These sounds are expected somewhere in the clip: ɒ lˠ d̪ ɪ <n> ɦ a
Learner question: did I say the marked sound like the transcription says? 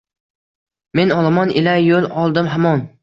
no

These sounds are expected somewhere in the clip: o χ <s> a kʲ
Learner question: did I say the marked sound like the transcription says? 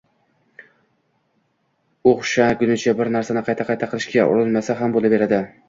no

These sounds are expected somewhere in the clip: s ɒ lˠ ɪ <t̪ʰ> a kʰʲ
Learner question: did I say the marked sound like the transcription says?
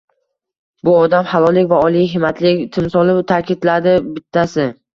yes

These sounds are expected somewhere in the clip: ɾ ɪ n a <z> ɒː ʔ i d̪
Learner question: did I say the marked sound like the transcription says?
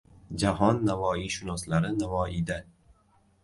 no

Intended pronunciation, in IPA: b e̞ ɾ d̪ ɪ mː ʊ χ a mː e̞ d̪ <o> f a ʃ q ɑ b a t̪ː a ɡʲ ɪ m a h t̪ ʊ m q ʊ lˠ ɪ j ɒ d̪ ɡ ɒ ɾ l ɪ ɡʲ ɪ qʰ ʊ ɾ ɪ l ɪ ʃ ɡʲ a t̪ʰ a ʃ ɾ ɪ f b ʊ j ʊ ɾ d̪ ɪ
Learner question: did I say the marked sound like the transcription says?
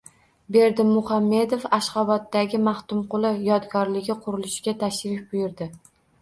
yes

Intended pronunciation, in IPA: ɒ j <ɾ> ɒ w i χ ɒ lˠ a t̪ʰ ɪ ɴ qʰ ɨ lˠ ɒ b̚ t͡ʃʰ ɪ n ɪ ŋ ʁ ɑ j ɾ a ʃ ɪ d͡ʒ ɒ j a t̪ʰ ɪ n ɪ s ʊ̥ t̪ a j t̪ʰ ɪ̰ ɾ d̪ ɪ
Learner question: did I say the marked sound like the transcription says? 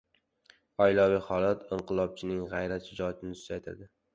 no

